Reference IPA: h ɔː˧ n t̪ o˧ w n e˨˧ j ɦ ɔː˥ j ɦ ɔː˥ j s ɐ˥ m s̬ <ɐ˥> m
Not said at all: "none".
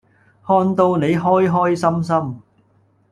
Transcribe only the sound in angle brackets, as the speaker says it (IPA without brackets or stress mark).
ɐ˥